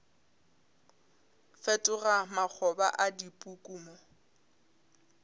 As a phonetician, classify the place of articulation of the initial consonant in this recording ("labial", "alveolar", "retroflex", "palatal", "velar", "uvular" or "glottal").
labial